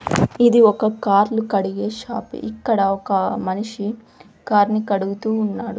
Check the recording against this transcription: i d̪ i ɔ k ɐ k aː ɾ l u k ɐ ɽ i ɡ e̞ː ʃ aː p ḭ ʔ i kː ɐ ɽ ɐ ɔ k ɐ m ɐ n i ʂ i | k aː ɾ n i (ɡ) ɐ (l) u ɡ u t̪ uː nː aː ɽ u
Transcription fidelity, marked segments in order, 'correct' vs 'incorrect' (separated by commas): incorrect, incorrect